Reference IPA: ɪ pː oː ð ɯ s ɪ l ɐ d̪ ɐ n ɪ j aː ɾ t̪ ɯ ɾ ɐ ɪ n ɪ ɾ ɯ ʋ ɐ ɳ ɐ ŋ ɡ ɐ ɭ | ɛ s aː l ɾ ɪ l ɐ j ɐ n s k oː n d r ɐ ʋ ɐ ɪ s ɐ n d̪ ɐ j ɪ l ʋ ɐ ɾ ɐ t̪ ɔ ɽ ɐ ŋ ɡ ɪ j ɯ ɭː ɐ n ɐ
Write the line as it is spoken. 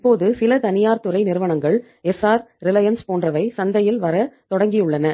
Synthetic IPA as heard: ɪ pː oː ð ɯ s ɪ l ɐ t̪ ɐ n ɪ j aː ɾ t̪ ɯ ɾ ɐ ɪ n ɪ ɾ ɯ ʋ ɐ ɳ ɐ ŋ ɡ ɐ ɭ | ɛ s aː ɾ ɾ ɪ l ɐ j ɐ n s p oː n d r ɐ ʋ ɐ ɪ s ɐ n d̪ ɐ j ɪ l ʋ ɐ ɾ ɐ t̪ ɔ ɽ ɐ ŋ ɡ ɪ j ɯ ɭː ɐ n ɐ